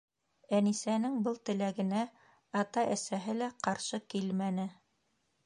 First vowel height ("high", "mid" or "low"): low